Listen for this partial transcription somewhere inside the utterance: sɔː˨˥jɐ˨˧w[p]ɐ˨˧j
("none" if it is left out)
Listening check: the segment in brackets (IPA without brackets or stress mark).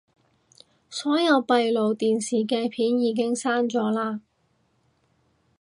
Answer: p